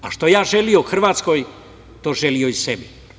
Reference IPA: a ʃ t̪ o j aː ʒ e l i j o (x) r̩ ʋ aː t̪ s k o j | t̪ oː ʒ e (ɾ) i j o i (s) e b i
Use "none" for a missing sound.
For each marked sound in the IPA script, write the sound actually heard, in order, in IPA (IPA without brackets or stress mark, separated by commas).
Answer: x, l, s